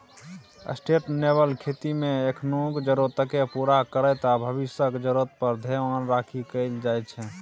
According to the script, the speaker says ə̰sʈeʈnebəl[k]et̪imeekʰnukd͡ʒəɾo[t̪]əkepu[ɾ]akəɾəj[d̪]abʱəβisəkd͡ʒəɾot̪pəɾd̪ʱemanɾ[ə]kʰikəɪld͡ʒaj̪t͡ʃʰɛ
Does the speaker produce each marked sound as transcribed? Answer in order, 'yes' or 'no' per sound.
no, yes, yes, no, no

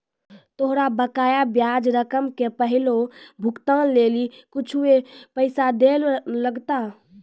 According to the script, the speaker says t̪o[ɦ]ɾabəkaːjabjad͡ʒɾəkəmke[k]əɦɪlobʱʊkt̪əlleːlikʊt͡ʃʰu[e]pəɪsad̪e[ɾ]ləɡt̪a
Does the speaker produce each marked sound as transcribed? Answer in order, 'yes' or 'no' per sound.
yes, no, yes, no

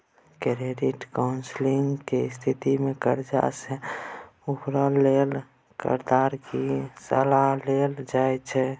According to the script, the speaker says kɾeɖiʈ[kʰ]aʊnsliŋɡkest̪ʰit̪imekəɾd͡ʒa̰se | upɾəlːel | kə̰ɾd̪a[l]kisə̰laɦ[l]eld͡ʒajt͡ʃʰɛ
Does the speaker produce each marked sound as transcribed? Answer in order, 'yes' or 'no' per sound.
no, no, yes

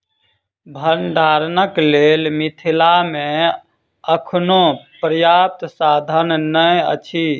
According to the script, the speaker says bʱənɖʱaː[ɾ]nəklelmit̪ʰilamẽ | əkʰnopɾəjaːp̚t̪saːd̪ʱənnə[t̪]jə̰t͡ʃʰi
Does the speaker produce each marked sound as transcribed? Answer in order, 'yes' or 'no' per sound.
yes, no

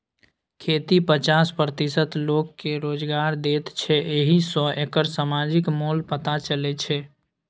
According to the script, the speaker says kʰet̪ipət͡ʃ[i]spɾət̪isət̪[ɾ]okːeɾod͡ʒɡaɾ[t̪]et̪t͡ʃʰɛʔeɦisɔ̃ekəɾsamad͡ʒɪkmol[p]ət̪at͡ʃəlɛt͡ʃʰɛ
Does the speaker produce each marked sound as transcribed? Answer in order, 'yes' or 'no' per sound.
no, no, no, yes

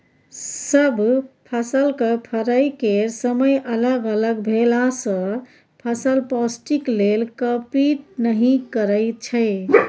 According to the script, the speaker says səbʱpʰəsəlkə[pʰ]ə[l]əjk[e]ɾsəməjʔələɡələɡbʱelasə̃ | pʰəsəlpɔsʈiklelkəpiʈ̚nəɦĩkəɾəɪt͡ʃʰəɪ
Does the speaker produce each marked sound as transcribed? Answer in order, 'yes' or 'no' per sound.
yes, no, yes

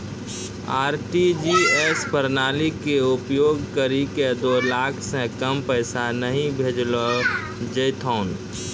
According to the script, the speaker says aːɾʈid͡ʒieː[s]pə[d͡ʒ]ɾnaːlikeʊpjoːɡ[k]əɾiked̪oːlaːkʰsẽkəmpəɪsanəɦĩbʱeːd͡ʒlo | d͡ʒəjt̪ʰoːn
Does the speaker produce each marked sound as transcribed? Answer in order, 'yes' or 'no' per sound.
yes, no, yes

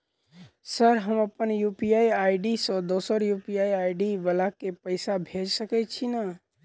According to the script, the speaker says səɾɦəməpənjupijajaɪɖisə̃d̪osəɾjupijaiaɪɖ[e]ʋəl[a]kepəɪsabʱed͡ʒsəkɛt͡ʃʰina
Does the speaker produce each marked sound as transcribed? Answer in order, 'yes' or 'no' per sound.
no, yes

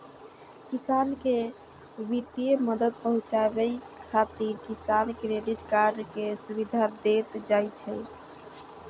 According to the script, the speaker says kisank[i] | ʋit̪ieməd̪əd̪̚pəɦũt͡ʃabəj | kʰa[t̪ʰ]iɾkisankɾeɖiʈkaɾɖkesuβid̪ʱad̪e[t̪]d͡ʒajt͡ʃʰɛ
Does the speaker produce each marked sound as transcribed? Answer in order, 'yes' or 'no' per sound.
no, no, yes

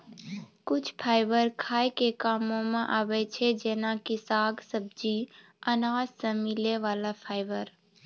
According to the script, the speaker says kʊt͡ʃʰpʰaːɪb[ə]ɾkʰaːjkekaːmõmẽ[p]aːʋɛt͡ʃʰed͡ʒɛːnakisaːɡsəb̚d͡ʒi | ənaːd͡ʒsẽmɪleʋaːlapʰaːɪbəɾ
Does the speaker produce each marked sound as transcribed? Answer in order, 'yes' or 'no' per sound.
yes, no

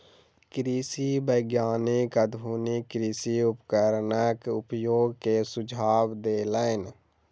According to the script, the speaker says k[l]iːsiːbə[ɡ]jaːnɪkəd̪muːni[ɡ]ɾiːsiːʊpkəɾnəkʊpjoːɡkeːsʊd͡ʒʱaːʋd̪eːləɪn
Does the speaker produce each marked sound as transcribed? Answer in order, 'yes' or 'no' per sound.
no, yes, no

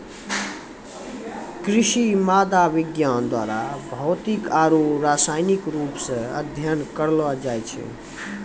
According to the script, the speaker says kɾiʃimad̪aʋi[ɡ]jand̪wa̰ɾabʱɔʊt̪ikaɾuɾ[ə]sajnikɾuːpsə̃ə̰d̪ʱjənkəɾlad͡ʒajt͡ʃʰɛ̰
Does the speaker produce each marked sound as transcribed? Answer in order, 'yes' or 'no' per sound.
yes, no

